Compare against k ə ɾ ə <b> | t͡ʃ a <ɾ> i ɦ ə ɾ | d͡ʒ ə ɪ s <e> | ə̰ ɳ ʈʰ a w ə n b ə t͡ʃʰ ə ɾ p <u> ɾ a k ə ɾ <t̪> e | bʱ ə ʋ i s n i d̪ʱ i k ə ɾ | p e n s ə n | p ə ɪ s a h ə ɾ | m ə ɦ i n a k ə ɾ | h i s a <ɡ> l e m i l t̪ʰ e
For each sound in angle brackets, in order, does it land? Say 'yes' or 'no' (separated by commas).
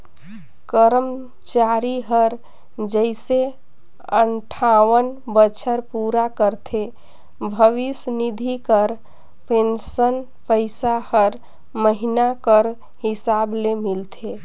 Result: no, yes, yes, yes, no, no